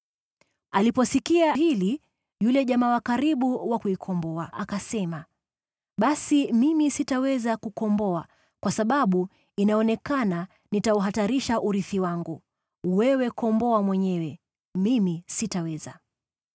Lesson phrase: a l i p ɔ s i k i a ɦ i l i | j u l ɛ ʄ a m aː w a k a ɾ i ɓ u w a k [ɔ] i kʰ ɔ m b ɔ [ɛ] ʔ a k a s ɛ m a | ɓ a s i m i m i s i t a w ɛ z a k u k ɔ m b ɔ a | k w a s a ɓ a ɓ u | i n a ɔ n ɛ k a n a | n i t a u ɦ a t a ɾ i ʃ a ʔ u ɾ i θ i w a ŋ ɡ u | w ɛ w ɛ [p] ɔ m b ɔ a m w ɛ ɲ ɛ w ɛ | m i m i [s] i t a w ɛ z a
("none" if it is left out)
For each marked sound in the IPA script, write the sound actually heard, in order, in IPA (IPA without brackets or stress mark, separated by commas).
u, a, k, s